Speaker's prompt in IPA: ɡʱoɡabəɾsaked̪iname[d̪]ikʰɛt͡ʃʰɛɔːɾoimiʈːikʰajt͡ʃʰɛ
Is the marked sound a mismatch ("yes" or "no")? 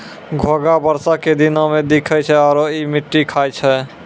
no